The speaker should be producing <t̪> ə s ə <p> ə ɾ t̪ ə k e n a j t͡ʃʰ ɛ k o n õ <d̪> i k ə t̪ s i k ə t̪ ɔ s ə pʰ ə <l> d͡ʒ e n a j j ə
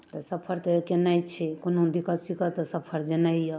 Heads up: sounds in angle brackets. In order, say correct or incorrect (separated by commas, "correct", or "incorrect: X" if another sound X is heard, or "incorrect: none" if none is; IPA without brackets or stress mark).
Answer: correct, incorrect: pʰ, correct, incorrect: ɾ